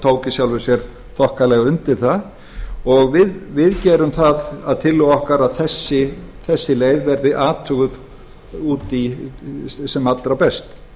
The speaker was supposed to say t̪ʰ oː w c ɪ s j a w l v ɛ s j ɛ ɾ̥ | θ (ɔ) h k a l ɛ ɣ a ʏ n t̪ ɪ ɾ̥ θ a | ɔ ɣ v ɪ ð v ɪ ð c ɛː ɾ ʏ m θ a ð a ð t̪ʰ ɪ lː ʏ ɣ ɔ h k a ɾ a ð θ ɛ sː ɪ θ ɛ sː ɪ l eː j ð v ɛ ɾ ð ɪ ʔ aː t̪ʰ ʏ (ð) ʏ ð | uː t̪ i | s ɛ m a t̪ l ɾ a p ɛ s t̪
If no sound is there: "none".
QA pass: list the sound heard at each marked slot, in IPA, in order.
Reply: ɔ, ɣ

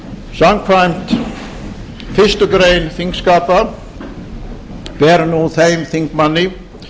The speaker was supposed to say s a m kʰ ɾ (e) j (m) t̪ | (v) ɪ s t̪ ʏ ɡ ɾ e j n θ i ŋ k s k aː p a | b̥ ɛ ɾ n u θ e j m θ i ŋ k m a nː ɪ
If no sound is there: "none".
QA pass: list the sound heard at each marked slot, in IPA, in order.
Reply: a, m, f

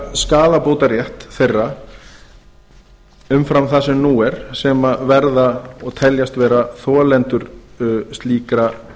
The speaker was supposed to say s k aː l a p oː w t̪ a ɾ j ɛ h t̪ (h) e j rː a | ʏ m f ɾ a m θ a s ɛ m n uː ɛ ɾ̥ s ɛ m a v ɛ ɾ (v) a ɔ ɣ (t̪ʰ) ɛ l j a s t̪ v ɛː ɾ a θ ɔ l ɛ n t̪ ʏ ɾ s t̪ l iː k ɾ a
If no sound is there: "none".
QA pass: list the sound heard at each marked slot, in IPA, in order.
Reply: θ, ð, t̪ʰ

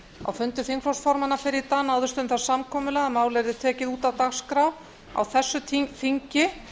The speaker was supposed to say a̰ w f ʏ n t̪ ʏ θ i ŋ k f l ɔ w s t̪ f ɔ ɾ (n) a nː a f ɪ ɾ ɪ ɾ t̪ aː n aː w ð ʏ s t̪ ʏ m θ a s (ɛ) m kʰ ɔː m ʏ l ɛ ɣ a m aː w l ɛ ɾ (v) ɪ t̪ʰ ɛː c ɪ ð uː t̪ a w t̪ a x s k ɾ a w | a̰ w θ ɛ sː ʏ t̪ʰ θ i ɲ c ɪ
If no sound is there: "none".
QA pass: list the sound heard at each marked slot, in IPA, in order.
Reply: m, a, ð

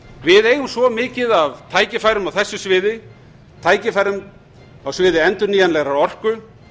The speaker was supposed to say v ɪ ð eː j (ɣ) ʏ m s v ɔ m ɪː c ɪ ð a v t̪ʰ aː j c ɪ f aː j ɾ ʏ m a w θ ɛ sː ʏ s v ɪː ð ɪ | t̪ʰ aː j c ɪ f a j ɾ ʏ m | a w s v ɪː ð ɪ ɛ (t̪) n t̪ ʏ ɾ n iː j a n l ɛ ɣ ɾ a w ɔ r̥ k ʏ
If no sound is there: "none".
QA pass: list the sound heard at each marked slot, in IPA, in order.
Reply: ɣ, none

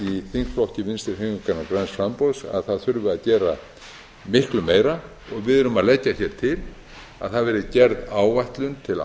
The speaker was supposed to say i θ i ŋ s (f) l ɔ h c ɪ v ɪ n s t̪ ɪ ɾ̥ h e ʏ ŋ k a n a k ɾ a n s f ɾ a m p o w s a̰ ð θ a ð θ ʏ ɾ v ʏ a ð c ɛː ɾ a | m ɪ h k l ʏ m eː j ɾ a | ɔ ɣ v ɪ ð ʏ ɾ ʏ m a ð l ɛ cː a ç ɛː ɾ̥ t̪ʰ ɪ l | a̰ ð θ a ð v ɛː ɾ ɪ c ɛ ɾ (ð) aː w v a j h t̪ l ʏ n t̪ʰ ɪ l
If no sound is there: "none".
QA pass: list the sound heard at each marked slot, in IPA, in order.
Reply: f, ð

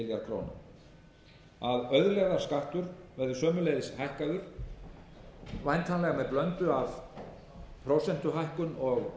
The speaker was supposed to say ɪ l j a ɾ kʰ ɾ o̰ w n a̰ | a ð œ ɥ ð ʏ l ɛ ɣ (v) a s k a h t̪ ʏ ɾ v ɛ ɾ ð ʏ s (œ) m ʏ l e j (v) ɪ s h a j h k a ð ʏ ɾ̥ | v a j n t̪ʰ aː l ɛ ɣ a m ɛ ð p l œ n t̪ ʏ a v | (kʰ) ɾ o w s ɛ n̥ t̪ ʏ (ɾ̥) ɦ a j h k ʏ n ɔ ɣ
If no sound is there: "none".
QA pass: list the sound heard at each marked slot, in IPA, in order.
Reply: ð, œː, ð, pʰ, none

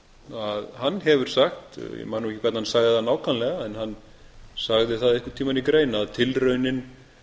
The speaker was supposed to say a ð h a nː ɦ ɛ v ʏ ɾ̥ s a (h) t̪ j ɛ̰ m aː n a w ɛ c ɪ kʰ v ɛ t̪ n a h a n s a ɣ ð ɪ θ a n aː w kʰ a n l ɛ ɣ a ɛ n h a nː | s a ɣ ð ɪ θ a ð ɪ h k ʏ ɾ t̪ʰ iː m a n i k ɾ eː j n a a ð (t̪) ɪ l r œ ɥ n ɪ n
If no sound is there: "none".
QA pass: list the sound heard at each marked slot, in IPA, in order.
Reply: x, t̪ʰ

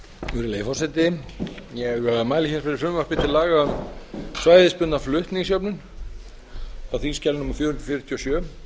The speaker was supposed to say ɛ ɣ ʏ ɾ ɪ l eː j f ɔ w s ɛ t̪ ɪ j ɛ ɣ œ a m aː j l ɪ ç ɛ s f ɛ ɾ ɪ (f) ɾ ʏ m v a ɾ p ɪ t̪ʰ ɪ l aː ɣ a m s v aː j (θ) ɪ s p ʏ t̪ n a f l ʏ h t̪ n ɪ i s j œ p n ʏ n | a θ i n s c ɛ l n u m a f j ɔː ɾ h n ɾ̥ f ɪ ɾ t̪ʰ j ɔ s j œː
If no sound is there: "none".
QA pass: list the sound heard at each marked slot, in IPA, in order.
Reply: f, ð

